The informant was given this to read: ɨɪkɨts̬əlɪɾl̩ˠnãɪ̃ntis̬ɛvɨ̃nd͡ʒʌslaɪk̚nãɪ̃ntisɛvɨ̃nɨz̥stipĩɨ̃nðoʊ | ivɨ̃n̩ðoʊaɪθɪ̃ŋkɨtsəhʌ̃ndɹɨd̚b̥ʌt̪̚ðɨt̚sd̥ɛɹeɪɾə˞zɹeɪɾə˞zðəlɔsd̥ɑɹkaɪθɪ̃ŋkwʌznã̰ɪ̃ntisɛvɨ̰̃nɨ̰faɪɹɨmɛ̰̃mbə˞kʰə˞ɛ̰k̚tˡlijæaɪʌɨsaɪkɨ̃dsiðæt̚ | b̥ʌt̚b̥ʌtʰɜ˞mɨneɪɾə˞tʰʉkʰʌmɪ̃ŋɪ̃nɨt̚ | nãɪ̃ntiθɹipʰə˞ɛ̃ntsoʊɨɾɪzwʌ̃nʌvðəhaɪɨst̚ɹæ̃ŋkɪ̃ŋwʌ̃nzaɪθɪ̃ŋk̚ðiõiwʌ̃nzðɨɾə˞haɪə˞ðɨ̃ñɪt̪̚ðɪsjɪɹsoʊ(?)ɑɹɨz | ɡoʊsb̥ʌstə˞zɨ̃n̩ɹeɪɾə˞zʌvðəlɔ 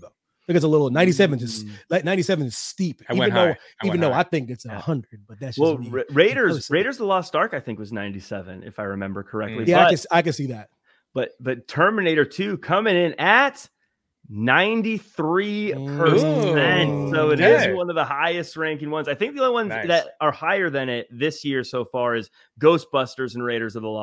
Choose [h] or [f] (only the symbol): f